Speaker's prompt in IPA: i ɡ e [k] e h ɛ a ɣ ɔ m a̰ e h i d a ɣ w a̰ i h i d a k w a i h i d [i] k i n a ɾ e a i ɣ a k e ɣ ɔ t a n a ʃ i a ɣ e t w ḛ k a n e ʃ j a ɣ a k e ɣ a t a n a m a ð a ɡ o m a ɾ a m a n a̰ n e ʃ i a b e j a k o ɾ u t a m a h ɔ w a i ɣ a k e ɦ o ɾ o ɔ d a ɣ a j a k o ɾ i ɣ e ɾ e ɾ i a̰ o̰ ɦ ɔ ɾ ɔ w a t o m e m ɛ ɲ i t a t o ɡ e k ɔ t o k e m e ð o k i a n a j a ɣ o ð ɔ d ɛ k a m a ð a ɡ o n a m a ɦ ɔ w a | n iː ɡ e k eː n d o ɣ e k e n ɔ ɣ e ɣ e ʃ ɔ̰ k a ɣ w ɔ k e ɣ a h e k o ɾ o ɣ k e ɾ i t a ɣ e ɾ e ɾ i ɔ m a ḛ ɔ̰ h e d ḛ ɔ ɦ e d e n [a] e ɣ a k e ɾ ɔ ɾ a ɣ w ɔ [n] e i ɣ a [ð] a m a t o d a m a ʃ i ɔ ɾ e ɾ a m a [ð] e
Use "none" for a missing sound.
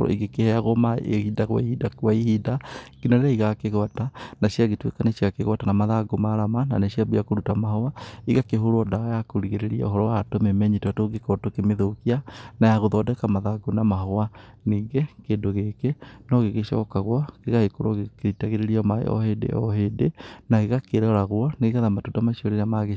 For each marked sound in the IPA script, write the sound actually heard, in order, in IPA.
k, a, a, n, ð, ɣ

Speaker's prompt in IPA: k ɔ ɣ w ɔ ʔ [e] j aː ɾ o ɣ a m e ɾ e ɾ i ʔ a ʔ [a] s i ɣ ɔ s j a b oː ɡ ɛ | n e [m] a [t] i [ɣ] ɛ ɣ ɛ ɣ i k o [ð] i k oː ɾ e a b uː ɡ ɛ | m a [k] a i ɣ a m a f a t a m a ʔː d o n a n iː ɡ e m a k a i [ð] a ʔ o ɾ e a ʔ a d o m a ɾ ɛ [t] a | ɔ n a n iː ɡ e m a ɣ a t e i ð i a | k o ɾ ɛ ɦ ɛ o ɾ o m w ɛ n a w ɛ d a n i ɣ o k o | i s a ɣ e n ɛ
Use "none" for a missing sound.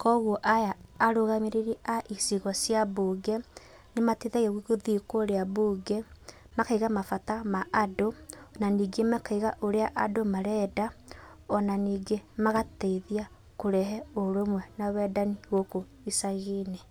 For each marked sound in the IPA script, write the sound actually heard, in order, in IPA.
a, i, m, t, ð, ð, k, ɣ, d

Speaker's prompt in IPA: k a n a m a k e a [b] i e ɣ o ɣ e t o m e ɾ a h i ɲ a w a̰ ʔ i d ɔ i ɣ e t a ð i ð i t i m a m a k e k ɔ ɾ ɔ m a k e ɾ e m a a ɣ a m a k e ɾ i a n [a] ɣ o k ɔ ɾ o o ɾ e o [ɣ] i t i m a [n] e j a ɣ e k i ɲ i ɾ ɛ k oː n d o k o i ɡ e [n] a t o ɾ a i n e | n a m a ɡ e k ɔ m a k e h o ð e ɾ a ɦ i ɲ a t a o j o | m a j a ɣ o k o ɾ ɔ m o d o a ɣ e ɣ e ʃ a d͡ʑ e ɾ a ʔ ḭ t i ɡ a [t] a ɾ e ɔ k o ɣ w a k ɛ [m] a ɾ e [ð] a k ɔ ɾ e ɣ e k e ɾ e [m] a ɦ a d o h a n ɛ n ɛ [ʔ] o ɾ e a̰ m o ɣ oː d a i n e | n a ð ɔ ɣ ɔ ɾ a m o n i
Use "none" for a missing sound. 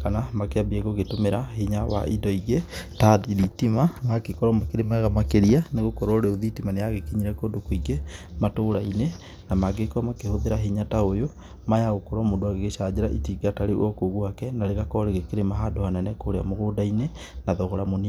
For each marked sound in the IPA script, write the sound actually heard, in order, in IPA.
b, e, ð, n, m, t, n, ɣ, m, k

